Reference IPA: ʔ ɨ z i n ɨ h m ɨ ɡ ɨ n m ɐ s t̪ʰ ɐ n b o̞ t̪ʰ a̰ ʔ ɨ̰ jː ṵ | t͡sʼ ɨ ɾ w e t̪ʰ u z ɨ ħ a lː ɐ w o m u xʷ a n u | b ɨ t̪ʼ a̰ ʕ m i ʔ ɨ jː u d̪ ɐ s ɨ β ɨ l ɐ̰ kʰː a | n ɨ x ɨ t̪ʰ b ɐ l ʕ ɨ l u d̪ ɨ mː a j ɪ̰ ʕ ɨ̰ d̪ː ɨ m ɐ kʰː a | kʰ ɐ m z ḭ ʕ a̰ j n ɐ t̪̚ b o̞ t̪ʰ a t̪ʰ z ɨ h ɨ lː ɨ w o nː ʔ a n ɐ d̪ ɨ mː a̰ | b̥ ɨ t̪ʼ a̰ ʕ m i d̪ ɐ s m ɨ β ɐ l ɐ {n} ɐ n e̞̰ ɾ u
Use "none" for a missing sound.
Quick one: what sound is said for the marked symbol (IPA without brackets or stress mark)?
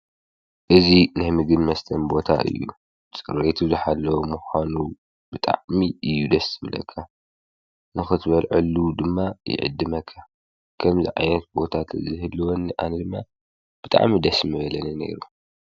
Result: n